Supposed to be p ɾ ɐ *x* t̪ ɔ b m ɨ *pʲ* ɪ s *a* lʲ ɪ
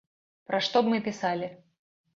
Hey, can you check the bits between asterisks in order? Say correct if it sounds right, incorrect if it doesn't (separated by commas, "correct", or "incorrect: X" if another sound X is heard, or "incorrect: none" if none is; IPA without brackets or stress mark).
incorrect: ʂ, correct, correct